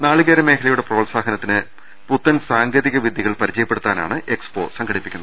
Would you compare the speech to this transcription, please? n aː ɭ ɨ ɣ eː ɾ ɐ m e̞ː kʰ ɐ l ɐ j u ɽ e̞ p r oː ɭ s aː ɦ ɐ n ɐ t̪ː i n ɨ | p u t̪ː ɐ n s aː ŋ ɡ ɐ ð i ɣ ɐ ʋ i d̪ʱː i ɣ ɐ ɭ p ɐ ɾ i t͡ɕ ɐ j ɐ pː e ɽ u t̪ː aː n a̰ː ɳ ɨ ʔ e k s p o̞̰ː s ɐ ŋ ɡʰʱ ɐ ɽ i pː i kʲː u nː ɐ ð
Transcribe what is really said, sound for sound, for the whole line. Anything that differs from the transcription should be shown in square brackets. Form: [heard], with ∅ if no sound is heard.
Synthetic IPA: n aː ɭ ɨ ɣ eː ɾ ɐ m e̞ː kʰ ɐ l ɐ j u ɽ e̞ p r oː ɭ s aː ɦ ɐ n ɐ t̪ː i n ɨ | p u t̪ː ɐ n s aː ŋ ɡ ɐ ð i ɣ ɐ ʋ i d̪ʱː i ɣ ɐ ɭ p ɐ ɾ i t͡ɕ ɐ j ɐ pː e ɽ u t̪ː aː n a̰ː ɳ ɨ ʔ e k s p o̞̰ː s ɐ ŋ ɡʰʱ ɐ ɽ i pː i kʲː u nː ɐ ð